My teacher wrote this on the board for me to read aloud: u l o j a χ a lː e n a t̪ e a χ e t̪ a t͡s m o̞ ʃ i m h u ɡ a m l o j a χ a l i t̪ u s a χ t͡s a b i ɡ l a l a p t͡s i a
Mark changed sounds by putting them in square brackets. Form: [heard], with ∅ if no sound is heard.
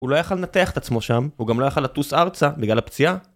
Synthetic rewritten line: u l o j a χ a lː e n a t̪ e a χ e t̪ a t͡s m o̞ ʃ [a] m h u ɡ a m l o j a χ a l [a] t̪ u s a [ʁ] t͡s a b i ɡ l a l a p t͡s i a